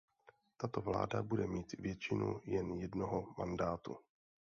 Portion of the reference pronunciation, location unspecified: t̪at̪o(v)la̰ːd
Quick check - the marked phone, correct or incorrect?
correct